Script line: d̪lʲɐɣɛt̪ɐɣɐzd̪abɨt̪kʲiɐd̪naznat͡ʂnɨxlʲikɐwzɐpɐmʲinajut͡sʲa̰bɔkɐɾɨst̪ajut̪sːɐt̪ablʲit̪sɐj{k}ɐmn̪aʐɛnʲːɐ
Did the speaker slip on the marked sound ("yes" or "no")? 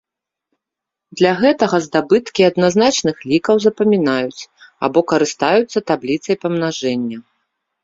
yes